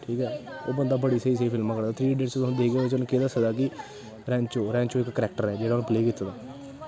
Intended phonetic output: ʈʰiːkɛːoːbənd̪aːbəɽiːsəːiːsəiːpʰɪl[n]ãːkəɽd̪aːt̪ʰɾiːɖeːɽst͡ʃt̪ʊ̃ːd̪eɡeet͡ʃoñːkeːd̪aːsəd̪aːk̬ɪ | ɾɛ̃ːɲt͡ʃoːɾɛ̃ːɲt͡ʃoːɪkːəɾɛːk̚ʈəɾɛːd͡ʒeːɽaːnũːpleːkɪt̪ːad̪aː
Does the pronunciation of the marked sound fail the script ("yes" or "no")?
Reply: yes